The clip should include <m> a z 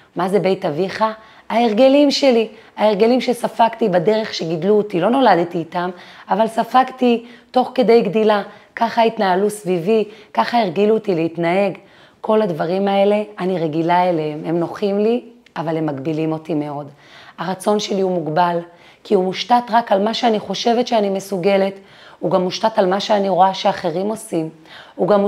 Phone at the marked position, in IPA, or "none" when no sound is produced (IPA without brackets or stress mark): m